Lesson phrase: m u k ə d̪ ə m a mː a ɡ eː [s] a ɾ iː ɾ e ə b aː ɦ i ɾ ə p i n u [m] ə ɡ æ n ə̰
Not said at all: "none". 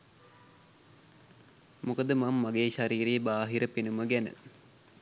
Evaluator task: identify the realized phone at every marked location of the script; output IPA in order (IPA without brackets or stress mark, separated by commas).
ʃ, m